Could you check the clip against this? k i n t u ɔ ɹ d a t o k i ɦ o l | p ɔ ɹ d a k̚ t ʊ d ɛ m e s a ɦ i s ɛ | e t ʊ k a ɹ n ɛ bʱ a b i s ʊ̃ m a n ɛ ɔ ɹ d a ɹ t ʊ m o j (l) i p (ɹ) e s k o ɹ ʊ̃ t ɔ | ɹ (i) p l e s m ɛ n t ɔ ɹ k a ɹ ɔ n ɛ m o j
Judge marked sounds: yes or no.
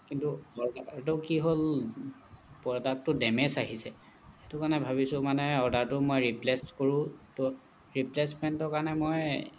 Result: no, no, yes

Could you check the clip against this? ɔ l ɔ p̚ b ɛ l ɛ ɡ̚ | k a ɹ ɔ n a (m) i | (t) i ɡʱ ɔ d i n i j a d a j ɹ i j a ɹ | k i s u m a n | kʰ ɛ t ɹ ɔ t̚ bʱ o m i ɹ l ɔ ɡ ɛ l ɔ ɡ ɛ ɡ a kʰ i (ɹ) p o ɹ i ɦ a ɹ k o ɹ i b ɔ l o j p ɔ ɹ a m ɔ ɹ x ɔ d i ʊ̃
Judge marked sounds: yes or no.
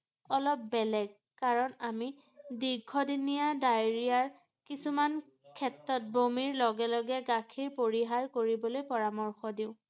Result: yes, no, yes

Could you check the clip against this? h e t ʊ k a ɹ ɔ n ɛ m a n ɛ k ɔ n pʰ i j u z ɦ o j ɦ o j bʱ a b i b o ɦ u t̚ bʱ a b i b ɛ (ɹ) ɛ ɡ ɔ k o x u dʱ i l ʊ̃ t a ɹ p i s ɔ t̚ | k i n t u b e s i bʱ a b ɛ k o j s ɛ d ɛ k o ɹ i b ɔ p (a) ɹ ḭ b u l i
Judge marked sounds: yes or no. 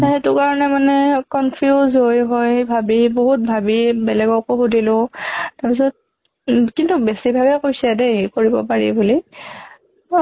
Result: no, yes

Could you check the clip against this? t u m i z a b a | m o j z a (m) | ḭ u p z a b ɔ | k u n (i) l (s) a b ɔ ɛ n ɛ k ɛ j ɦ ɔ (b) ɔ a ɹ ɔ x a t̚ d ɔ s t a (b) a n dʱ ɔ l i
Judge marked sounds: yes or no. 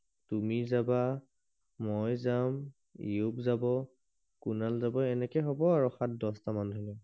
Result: yes, no, no, yes, no

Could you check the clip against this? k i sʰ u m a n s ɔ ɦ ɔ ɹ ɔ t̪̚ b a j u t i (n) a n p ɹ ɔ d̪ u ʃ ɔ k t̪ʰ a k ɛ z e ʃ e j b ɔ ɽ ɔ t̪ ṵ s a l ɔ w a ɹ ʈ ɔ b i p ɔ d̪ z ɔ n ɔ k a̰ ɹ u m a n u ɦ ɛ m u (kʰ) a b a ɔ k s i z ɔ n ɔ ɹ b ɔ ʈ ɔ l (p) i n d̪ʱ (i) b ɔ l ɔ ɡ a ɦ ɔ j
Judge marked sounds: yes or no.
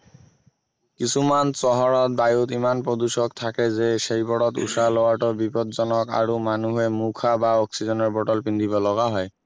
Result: no, yes, yes, yes

